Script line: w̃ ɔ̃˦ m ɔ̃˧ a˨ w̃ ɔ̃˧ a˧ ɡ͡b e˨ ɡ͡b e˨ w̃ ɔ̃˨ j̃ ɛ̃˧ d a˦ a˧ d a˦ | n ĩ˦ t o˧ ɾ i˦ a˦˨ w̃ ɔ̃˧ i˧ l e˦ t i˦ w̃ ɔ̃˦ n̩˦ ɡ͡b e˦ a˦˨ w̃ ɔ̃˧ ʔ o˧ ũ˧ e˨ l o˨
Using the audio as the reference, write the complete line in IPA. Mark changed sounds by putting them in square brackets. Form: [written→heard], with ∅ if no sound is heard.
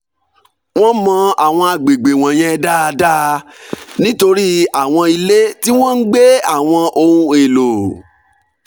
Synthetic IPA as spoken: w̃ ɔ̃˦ m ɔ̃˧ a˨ w̃ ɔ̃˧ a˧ ɡ͡b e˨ ɡ͡b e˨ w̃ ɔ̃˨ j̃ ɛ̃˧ d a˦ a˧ d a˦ | n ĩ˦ t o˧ ɾ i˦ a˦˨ w̃ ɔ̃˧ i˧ l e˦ t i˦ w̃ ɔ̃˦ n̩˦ ɡ͡b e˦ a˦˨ w̃ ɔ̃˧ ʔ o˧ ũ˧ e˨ l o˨